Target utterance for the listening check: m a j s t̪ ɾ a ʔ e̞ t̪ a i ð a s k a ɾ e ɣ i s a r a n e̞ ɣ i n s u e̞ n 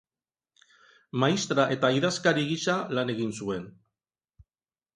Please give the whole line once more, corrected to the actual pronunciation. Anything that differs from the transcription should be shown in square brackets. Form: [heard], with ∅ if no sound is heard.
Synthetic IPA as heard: m a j s t̪ ɾ a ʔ e̞ t̪ a i ð a s k a ɾ [i] ɣ i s a [l] a n e̞ ɣ i n s u e̞ n